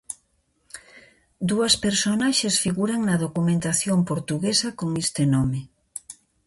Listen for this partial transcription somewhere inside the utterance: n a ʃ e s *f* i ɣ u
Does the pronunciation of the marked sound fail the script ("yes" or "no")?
no